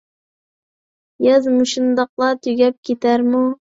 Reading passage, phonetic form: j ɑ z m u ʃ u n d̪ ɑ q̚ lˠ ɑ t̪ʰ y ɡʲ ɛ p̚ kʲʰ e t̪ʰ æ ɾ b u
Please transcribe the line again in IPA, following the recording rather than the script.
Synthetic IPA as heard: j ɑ z m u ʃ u n d̪ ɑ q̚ lˠ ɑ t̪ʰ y ɡʲ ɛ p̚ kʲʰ e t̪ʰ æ ɾ m u